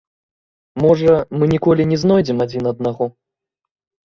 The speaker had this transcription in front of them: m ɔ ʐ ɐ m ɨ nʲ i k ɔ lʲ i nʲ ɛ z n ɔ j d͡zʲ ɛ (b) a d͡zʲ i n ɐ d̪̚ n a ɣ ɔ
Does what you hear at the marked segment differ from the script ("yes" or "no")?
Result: yes